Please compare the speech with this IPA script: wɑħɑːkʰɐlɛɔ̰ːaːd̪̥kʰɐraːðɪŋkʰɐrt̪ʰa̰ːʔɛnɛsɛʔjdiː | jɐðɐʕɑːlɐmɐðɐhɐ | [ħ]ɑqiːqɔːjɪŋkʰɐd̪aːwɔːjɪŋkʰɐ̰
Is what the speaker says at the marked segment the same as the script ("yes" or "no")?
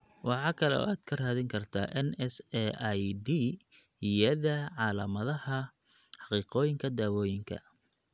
yes